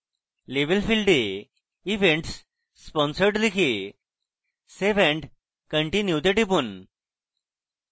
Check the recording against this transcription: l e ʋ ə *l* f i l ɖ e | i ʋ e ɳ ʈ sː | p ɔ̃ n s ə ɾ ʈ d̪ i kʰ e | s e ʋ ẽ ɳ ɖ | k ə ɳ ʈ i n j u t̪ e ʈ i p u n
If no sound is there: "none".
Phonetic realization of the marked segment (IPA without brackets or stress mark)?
l